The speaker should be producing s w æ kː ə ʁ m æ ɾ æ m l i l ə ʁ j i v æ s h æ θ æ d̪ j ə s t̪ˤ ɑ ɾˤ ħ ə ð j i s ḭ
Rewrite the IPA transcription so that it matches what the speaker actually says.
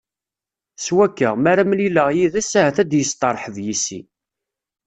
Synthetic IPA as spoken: s w æ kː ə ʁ m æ ɾ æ m l i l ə ʁ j i ð æ s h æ θ æ d̪ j ə s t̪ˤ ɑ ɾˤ ħ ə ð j i s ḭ